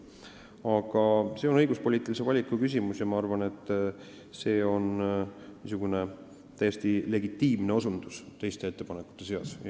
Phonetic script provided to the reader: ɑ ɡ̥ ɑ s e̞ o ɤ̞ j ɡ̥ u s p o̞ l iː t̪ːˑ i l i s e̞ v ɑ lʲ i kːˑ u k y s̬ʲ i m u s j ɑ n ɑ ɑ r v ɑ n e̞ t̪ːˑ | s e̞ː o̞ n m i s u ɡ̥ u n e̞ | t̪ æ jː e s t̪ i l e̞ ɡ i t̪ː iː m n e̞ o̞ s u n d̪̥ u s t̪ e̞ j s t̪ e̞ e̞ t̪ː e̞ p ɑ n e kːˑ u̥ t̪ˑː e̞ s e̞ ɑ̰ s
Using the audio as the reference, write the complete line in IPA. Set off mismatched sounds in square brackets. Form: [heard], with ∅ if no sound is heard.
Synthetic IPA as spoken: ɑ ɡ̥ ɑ s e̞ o ɤ̞ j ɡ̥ u s p o̞ l iː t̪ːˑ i l i s e̞ v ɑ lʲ i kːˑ u k y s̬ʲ i m u s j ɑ [m] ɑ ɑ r v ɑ n e̞ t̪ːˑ | s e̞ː o̞ n m i s u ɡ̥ u n e̞ | t̪ æ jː e s t̪ i l e̞ ɡ i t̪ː iː m n e̞ o̞ s u n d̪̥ u s t̪ e̞ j s t̪ e̞ e̞ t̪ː e̞ p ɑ n e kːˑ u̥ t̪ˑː e̞ s e̞ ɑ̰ s